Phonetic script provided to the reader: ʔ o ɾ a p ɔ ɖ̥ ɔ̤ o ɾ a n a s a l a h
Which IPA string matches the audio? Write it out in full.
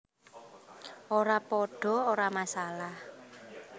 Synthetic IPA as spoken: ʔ o ɾ a p ɔ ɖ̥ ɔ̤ o ɾ a m a s a l a h